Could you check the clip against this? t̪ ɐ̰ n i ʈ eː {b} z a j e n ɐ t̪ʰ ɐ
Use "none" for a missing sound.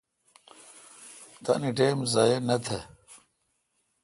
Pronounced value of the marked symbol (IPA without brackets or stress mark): m